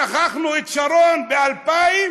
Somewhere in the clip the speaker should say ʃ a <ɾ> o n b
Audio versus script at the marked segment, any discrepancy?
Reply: no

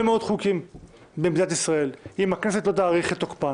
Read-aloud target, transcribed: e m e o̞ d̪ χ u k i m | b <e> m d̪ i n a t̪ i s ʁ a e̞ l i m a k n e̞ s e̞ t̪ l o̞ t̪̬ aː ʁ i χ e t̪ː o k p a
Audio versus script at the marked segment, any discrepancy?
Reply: no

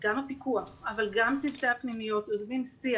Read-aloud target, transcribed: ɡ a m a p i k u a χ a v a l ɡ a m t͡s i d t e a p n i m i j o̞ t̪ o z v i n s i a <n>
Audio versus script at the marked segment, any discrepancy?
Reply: yes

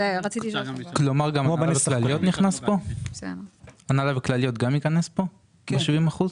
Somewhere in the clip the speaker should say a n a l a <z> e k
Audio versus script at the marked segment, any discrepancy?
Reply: yes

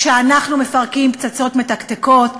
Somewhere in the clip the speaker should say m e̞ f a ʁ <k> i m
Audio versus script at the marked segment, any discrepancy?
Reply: no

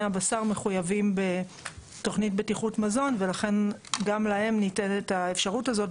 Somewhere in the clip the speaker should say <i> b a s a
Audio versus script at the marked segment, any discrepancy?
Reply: yes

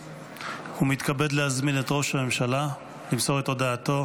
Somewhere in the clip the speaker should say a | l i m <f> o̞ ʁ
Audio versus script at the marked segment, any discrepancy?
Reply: yes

